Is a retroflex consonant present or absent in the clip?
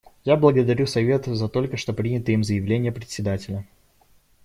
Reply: present